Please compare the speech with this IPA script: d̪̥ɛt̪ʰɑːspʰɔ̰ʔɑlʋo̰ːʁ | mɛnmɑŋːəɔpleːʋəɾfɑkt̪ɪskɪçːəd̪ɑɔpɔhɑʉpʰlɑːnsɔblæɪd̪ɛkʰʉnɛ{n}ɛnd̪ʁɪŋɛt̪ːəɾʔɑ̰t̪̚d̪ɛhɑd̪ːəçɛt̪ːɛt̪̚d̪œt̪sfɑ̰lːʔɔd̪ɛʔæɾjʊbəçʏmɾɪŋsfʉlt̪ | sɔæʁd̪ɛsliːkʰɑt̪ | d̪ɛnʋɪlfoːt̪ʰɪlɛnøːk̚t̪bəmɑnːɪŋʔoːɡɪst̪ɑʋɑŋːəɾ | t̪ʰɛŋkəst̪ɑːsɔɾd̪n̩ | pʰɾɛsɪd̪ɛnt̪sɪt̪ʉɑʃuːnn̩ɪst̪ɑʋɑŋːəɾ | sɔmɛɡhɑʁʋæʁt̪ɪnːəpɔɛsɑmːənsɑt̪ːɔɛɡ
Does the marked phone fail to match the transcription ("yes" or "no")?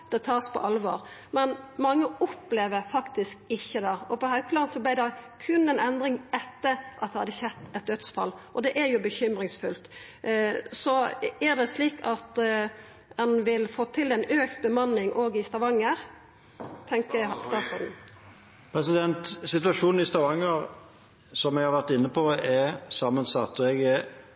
no